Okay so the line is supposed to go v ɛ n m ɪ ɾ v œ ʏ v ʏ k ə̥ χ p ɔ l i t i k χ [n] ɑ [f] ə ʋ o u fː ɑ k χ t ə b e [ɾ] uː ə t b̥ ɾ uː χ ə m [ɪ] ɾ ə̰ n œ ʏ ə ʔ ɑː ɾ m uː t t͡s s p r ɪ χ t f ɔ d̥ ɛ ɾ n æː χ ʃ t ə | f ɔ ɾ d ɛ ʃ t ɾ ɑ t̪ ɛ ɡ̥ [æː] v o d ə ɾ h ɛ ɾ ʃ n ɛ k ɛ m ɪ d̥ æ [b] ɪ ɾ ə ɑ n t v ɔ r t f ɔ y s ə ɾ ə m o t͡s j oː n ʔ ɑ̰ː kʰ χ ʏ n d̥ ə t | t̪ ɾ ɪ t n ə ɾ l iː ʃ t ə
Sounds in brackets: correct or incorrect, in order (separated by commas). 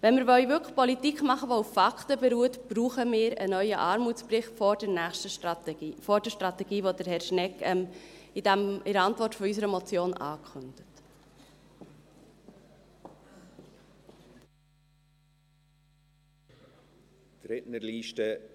incorrect, incorrect, correct, incorrect, incorrect, incorrect